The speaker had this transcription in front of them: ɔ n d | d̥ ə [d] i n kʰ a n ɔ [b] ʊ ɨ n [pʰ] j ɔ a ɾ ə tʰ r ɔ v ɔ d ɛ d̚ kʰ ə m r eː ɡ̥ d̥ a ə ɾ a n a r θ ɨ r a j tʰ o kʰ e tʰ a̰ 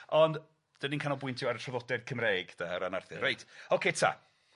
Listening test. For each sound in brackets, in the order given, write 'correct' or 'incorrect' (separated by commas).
incorrect, correct, incorrect